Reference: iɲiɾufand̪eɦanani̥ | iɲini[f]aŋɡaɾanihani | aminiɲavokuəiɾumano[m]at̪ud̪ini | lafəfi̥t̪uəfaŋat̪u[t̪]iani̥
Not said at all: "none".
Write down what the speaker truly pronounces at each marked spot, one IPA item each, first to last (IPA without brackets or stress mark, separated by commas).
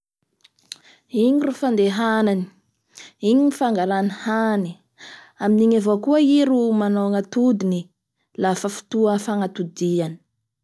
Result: f, ŋ, d̪